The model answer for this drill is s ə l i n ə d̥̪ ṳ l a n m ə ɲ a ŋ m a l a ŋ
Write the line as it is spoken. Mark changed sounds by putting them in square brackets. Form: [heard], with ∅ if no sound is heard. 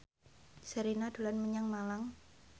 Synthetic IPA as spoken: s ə [ɾ] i n [a] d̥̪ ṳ l a n m ə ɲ a ŋ m a l a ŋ

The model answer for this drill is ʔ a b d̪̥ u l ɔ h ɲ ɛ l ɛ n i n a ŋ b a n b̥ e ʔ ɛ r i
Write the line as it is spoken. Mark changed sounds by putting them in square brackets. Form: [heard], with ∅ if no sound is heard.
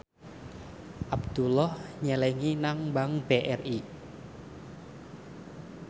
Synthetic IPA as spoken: ʔ a b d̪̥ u l ɔ h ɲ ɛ l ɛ [ŋ] i n a ŋ b a [ŋ] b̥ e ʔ ɛ r i

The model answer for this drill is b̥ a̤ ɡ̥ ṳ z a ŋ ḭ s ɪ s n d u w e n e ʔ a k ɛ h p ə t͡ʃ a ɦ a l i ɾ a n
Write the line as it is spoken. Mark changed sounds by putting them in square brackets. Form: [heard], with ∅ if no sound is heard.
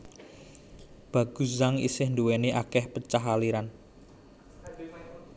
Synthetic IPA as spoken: b̥ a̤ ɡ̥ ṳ z a ŋ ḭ s ɪ [h] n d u w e n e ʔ a k ɛ h p ə t͡ʃ a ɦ a l i ɾ a n

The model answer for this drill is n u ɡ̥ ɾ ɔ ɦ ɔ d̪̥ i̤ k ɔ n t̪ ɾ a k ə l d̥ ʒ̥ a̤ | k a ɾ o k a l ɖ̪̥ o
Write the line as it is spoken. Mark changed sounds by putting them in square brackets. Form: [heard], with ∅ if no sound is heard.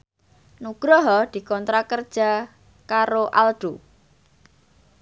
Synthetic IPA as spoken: n u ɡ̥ ɾ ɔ ɦ ɔ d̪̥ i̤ k ɔ n t̪ ɾ a k ə [r] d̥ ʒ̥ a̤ | k a ɾ o [ʔ] a l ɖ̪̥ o

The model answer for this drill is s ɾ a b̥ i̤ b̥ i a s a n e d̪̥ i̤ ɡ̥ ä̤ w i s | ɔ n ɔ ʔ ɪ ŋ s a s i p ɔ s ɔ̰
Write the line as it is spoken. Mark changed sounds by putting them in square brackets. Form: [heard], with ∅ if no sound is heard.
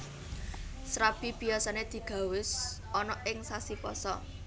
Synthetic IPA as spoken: s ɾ a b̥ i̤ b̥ i a s a n e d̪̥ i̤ ɡ̥ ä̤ w [ɪ] s | ɔ n ɔ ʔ ɪ ŋ s a s i p ɔ s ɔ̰

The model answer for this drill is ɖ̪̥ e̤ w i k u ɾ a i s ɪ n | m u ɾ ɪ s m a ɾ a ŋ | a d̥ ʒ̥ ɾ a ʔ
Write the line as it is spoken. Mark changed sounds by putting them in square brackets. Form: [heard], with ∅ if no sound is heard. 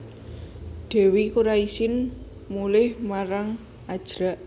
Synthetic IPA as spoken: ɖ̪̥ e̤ w i k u ɾ a i s ɪ n | m u [l] ɪ [h] m a ɾ a ŋ | a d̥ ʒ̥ ɾ a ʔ

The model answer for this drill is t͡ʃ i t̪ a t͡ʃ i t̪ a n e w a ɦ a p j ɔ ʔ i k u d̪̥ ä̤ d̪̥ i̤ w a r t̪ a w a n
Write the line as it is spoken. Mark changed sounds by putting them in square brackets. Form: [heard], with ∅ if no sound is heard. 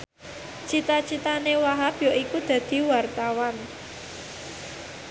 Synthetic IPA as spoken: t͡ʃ i t̪ a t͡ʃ i t̪ a n e w a ɦ a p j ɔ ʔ i k u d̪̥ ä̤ d̪̥ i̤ w a r t̪ a w a n

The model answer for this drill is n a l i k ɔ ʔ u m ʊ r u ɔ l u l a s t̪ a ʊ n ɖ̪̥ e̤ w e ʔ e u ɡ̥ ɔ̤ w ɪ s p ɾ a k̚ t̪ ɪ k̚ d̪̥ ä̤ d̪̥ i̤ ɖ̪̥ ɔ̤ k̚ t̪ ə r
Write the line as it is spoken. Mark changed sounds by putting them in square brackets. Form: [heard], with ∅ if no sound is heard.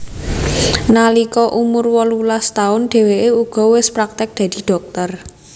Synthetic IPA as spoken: n a l i k ɔ ʔ u m ʊ r [w] ɔ l u l a s t̪ a ʊ n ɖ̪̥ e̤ w e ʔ e u ɡ̥ ɔ̤ w ɪ s p ɾ a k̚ t̪ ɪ k̚ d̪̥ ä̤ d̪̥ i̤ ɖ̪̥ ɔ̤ k̚ t̪ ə r

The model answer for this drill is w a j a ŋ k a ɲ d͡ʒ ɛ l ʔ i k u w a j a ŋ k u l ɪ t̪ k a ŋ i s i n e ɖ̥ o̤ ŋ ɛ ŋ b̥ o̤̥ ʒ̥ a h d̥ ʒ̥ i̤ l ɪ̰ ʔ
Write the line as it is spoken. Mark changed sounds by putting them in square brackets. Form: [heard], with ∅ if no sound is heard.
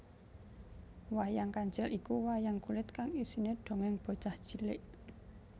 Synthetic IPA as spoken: w a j a ŋ k a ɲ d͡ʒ ɛ l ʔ i k u w a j a ŋ k u l ɪ t̪ k a ŋ i s i n e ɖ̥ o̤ ŋ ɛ ŋ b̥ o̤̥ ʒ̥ a h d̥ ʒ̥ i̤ l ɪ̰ ʔ

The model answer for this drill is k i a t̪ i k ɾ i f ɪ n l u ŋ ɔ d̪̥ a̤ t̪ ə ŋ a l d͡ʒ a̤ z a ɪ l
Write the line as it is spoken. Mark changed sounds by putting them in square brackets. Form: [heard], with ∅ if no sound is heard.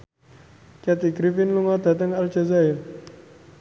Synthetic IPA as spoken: k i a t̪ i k ɾ i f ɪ n l u ŋ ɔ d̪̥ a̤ t̪ ə ŋ a l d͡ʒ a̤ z a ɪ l

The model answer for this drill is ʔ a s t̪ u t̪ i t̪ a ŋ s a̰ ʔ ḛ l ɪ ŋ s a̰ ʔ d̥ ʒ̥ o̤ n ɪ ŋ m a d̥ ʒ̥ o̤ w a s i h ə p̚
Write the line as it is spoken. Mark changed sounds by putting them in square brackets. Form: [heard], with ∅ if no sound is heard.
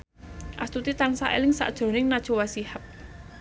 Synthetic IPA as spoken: ʔ a s t̪ u t̪ i t̪ a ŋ s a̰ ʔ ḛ l ɪ ŋ s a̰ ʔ d̥ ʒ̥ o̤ n ɪ ŋ [n] a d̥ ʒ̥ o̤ w a s i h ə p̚

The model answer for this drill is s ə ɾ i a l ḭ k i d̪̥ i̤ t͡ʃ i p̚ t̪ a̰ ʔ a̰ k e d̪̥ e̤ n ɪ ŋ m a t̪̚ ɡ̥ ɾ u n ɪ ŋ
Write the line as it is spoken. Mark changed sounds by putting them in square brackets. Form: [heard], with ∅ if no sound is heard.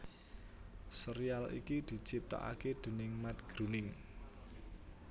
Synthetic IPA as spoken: s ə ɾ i a l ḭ k i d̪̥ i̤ t͡ʃ i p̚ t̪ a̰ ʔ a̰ k e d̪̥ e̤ n ɪ ŋ m a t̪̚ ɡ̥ ɾ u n ɪ ŋ

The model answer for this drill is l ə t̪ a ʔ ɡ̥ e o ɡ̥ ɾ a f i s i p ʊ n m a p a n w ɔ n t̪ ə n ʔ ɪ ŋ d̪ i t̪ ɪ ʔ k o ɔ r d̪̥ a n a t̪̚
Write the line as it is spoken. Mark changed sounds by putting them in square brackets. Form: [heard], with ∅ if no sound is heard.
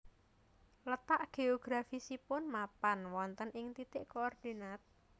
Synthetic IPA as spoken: l ə t̪ a ʔ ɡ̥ e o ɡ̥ ɾ a f i s i p ʊ n m a p a n w ɔ n t̪ ə n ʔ ɪ ŋ [t̪] i t̪ ɪ ʔ k o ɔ r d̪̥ [i] n a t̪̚

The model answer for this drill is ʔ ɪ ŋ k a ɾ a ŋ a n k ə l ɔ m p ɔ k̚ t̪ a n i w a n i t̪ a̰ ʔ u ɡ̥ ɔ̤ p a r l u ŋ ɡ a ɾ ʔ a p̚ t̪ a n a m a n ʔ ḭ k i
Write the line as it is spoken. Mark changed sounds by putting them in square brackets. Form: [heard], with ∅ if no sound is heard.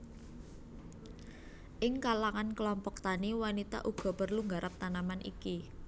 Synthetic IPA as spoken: ʔ ɪ ŋ k a [l] a ŋ a n k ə l ɔ m p ɔ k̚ t̪ a n i w a n i t̪ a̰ ʔ u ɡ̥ ɔ̤ p [ə] r l u ŋ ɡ a ɾ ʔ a p̚ t̪ a n a m a n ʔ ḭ k i

